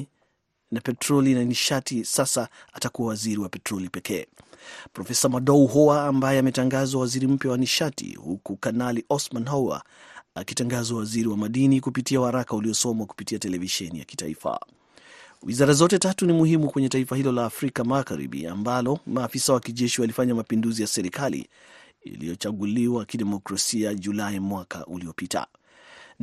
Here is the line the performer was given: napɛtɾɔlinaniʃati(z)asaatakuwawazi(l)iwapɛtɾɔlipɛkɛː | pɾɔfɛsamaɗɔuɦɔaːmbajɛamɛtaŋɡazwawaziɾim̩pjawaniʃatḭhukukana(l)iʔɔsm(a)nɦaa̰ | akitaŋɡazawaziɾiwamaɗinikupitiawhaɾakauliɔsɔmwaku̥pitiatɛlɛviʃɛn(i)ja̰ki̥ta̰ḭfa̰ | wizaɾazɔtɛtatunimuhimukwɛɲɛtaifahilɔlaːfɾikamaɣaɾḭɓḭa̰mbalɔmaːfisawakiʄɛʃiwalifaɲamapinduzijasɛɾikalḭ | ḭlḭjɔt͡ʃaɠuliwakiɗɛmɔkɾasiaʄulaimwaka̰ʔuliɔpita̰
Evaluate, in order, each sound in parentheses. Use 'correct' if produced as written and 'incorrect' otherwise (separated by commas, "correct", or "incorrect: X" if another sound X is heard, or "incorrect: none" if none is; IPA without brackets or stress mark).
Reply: incorrect: s, incorrect: ɾ, correct, correct, correct